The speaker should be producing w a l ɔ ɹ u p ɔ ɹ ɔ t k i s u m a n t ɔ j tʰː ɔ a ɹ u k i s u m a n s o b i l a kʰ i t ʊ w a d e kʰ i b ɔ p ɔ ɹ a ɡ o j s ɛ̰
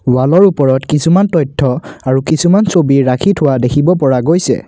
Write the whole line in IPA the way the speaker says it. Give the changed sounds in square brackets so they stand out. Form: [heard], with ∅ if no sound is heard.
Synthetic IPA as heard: w a l ɔ ɹ u p ɔ ɹ ɔ t k i s u m a n t ɔ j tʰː ɔ a ɹ u k i s u m a n s o b i [ɹ] a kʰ i [tʰ] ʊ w a d e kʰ i b ɔ p ɔ ɹ a ɡ o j s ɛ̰